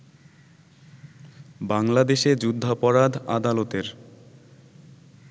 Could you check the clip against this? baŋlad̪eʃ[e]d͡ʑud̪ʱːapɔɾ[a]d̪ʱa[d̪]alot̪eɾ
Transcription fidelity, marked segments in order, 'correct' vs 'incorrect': correct, correct, correct

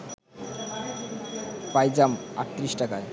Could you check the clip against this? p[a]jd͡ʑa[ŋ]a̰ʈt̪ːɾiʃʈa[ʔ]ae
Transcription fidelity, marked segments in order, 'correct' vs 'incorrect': correct, incorrect: m, incorrect: k

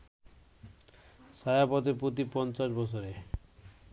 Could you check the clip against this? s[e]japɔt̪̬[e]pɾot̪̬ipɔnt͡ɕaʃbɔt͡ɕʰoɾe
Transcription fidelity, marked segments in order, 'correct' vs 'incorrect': incorrect: a, correct

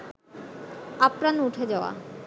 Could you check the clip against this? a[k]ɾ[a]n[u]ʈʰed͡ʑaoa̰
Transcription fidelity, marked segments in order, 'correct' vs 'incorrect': incorrect: p, correct, correct

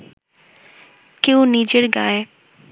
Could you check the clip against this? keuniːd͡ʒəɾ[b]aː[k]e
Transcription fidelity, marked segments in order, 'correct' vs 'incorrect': incorrect: ɡ, incorrect: none

